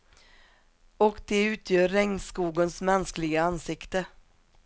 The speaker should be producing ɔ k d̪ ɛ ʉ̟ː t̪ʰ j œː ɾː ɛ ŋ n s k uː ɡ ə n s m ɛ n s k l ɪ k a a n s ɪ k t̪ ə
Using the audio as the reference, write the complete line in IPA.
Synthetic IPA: ɔ k d̪ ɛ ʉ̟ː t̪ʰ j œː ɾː ɛ ŋ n s k uː ɡ ə n s m ɛ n s k l ɪ ɡ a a n s ɪ k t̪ ə

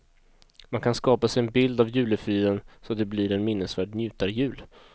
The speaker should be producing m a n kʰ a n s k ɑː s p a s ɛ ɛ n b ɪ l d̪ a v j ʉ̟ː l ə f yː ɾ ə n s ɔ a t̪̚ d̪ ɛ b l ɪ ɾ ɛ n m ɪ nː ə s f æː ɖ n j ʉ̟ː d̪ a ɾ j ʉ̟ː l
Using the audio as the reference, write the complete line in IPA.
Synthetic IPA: m a n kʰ a n s k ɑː p a s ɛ ɛ n b ɪ l d̪ a v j ʉ̟ː l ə f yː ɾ ə n s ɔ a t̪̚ d̪ ɛ b l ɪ ɾ ɛ n m ɪ nː ə s v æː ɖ n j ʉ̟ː t̪ a ɾ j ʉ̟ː l

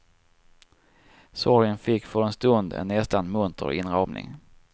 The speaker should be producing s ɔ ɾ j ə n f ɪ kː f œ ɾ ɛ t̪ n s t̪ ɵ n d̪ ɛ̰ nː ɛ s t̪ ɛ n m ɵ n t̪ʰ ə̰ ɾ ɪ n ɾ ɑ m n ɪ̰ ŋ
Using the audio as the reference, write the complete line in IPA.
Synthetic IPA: s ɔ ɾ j ə n f ɪ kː f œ ɾ ɛ n s t̪ ɵ n d̪ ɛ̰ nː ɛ s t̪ a n m ɵ n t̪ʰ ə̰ ɾ ɪ n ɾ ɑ m n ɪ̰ ŋ

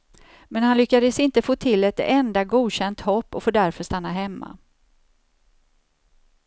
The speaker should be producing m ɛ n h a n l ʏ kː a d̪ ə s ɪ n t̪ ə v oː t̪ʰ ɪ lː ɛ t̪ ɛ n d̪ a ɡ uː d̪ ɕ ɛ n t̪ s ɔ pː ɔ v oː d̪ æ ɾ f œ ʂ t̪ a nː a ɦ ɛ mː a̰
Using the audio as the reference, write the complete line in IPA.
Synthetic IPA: m ɛ n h a n l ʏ kː a d̪ ə s ɪ n t̪ ə f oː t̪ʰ ɪ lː ɛ t̪ ɛ n d̪ a ɡ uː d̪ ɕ ɛ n t̪ h ɔ pː ɔ f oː d̪ æ ɾ f œ ʂ t̪ a nː a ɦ ɛ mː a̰

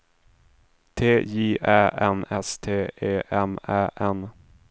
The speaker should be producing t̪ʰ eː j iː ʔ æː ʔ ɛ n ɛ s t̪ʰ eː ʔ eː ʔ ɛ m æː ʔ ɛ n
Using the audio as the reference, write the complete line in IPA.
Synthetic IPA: t̪ʰ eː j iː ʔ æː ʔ ɛ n ɛ s t̪ʰ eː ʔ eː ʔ ɛ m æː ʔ ɛ n

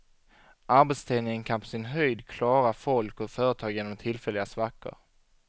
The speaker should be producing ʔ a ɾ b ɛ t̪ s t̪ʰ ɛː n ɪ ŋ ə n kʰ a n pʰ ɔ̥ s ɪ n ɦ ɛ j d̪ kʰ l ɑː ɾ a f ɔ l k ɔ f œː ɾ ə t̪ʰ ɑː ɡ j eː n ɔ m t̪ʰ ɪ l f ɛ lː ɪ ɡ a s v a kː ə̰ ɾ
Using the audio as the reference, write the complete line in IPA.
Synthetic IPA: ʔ a ɾ b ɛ t̪ s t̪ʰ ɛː n ɪ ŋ ə n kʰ a n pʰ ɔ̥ s ɪ n ɦ œ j d̪ kʰ l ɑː ɾ a f ɔ l k ɔ f œː ɾ ə t̪ʰ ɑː ɡ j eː n ɔ m t̪ʰ ɪ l f ɛ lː ɪ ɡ a s v a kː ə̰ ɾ

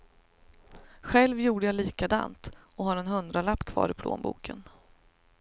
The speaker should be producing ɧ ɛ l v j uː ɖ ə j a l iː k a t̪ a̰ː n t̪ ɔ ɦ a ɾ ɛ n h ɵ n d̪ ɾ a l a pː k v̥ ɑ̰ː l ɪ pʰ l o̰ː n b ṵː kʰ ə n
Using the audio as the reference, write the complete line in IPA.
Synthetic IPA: ɧ ɛ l v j uː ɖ ə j a l iː k a d̪ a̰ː n t̪ ɔ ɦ a ɾ ɛ n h ɵ n d̪ ɾ a l a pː kʰ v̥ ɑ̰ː ɾ ɪ pʰ l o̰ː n b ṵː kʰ ə n

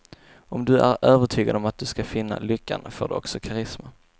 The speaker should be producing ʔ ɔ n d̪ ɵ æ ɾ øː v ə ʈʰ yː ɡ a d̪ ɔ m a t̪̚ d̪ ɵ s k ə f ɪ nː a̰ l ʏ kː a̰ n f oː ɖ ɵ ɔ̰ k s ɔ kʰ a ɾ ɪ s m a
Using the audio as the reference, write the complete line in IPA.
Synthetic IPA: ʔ ɔ m d̪ ɵ æ ɾ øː v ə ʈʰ yː ɡ a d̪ ɔ m a t̪̚ d̪ ɵ s k a f ɪ nː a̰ l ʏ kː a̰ n f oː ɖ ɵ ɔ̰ k s ɔ kʰ a ɾ ɪ s m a

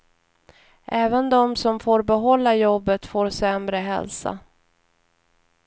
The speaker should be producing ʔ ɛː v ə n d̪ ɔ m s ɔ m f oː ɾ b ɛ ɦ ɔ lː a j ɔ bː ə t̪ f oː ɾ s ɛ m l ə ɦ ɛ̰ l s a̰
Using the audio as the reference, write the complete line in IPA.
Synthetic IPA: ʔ ɛː v ə n d̪ ɔ m s ɔ m f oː ɾ b ɛ ɦ ɔ lː a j ɔ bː ə t̪ f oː ɾ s ɛ m ɾ ə ɦ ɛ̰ l s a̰

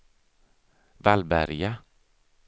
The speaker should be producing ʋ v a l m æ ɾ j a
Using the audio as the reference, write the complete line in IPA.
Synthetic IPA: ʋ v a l b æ ɾ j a

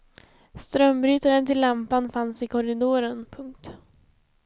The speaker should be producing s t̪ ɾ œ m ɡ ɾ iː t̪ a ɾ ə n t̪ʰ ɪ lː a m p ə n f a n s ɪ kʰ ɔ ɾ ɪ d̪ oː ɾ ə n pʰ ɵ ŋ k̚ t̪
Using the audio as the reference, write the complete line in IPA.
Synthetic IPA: s t̪ ɾ œ m b ɾ yː t̪ a ɾ ə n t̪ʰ ɪ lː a m p a n f a n s ɪ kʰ ɔ ɾ ɪ d̪ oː ɾ ə n pʰ ɵ ŋ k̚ t̪

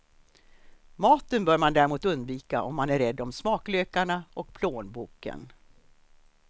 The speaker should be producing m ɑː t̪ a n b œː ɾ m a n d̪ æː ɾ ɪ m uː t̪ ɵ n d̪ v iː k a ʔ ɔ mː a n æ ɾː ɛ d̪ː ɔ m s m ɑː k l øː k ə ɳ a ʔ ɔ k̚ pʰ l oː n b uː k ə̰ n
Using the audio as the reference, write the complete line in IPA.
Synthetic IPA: m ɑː t̪ ə n b œː ɾ m a n d̪ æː ɾ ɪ m uː t̪ ɵ n d̪ v iː k a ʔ ɔ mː a n æ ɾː ɛ d̪ː ɔ m s m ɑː k l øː k a ɳ a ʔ ɔ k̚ pʰ l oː n b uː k ə̰ n

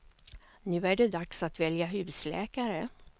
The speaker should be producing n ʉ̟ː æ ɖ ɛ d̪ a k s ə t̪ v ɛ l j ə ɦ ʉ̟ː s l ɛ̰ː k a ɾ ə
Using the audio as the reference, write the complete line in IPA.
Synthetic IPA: n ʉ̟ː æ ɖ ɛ d̪ a k s a t̪ v ɛ l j a ɦ ʉ̟ː s l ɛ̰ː k a ɾ ə

